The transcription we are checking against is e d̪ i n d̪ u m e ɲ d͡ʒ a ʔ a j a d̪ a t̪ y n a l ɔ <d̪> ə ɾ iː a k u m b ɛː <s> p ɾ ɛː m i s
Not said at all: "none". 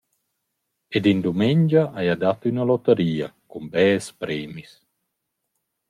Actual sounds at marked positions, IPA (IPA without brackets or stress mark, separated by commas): t̪, s